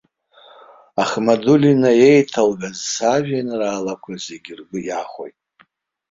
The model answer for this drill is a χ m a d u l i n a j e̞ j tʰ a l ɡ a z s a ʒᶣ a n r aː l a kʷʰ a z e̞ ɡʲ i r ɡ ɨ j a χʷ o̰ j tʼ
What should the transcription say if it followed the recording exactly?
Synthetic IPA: a χ m a d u l i n a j e̞ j tʰ a l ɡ a z s a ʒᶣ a n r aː l a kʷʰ a z e̞ ɡʲ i r ɡ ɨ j a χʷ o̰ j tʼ